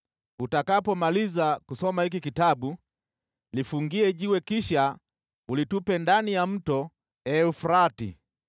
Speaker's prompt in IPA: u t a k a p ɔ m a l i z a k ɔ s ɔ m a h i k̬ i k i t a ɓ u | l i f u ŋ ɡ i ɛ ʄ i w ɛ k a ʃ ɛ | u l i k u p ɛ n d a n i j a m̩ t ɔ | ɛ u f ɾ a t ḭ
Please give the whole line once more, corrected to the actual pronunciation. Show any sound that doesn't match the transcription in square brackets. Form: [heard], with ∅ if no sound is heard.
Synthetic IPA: u t a k a p ɔ m a l i z a k [u] s ɔ m a h i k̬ i k i t a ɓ u | l i f u ŋ ɡ i ɛ ʄ i w ɛ k [i] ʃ [a] | u l i [t] u p ɛ n d a n i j a m̩ t ɔ | ɛ u f ɾ a t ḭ